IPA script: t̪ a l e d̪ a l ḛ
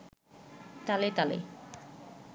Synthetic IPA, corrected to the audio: t̪ a l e t̪ a l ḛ